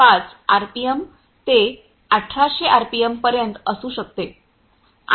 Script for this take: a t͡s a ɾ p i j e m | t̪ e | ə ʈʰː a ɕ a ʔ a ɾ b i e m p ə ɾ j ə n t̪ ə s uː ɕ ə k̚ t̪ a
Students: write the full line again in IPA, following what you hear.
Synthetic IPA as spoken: a t͡s a ɾ p i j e m | t̪ e | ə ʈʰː a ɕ e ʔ a ɾ p i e m p ə ɾ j ə n t̪ ə s uː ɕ ə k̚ t̪ e